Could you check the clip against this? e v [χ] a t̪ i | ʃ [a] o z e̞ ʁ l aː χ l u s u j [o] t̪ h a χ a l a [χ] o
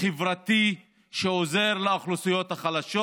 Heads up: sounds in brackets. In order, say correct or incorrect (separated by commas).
incorrect, incorrect, correct, incorrect